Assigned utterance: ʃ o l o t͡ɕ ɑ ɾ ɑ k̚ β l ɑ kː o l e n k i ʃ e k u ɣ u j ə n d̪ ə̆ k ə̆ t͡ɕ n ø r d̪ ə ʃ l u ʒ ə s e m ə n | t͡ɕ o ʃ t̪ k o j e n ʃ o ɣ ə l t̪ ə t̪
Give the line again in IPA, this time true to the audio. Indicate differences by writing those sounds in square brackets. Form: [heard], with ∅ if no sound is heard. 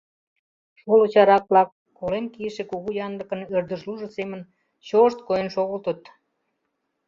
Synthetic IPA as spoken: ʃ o l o t͡ɕ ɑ ɾ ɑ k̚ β l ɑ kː o l e n k i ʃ e k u ɣ u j [ɑ] n d̪ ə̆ k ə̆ [∅] n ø r d̪ ə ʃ l u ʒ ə s e m ə n | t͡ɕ o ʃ t̪ k o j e n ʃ o ɣ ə l t̪ ə t̪